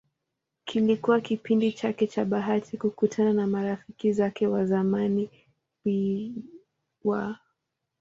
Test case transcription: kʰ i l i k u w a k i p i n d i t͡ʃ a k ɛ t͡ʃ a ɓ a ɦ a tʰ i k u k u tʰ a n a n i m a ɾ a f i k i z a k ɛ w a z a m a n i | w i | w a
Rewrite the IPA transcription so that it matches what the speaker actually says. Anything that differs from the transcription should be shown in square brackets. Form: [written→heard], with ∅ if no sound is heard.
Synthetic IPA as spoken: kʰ i l i k u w a k i p i n d i t͡ʃ a k ɛ t͡ʃ a ɓ a ɦ a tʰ i k u k u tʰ a n a n [i→a] m a ɾ a f i k i z a k ɛ w a z a m a n i | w i | w a